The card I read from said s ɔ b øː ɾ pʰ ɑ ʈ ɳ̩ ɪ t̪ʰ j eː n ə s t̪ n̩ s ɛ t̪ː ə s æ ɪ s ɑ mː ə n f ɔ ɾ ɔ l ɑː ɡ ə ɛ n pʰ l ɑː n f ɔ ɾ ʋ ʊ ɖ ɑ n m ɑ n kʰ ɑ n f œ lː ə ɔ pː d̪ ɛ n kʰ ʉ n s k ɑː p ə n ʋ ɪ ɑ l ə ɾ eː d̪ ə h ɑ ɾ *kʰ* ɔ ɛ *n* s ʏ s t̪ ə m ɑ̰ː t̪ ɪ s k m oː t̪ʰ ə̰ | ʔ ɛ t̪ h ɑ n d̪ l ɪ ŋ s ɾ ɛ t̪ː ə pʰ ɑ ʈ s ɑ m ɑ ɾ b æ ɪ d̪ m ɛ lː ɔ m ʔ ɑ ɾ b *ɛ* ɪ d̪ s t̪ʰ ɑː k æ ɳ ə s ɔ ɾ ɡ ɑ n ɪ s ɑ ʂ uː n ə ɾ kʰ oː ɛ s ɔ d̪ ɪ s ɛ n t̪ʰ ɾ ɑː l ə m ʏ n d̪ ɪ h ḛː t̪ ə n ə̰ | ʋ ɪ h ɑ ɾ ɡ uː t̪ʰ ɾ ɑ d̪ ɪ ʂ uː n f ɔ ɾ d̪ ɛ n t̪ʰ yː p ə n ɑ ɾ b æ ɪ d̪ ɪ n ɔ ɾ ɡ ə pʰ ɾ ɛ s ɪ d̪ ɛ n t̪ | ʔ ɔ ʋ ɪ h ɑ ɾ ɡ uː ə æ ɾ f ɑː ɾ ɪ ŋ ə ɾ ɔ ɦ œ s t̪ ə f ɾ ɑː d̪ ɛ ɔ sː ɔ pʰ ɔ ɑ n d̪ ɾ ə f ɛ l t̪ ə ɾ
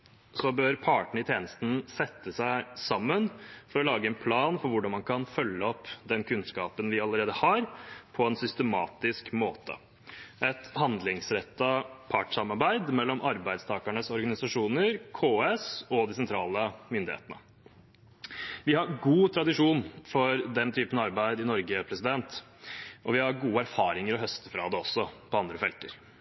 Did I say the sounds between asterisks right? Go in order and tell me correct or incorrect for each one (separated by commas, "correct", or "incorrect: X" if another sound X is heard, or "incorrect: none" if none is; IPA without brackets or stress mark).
incorrect: pʰ, correct, incorrect: æ